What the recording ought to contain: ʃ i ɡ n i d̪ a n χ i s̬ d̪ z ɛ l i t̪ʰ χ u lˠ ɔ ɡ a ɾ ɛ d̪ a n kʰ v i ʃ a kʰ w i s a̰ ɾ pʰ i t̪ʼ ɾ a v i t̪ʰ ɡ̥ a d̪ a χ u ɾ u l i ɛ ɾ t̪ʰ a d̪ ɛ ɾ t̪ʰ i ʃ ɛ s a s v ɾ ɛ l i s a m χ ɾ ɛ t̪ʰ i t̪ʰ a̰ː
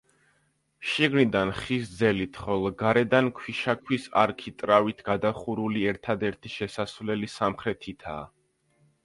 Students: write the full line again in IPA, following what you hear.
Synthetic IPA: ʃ i ɡ n i d̪ a n χ i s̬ d̪ z ɛ l i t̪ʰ χ ɔ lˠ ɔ ɡ a ɾ ɛ d̪ a n kʰ w i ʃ a kʰ w i s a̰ ɾ kʰ i t̪ʼ ɾ a v i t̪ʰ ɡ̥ a d̪ a χ u ɾ u l i ɛ ɾ t̪ʰ a d̪ ɛ ɾ t̪ʰ i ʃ ɛ s a s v l ɛ l i s a m χ ɾ ɛ t̪ʰ i t̪ʰ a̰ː